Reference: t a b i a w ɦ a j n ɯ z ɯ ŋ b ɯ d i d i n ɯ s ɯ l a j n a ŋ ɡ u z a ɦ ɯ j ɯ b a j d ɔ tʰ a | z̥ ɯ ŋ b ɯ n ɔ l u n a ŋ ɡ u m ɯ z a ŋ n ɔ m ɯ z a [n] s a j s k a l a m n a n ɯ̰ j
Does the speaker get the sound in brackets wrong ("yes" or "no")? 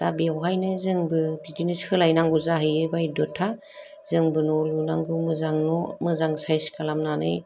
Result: yes